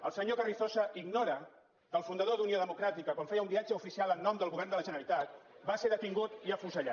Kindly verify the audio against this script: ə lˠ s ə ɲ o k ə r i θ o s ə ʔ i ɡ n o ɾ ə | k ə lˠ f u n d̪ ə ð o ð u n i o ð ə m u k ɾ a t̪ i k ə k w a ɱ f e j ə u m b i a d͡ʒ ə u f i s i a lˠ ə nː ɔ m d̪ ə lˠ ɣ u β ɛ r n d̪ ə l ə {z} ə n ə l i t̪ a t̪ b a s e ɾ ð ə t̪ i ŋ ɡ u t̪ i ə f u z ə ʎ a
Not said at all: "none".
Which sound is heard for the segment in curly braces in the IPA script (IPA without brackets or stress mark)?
ʒ